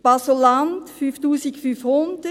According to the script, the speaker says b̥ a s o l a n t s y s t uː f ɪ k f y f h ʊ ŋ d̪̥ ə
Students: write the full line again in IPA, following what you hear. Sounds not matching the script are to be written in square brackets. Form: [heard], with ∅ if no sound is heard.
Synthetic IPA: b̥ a s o l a n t [f] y [f] t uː [s] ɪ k f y f h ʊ [n] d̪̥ ə